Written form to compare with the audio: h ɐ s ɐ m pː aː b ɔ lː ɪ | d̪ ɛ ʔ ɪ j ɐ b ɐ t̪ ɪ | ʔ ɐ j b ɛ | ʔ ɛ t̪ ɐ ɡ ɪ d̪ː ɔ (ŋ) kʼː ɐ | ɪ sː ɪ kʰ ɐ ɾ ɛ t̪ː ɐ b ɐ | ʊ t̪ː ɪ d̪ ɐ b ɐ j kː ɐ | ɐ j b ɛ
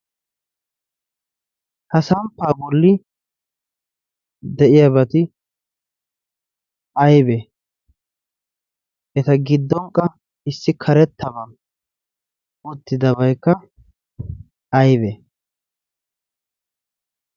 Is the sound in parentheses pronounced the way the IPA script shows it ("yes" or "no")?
yes